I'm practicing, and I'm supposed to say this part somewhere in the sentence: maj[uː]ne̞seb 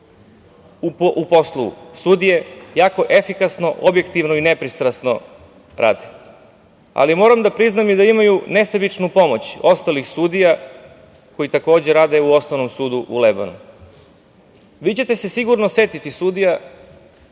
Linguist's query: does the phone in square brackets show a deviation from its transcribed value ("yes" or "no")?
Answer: yes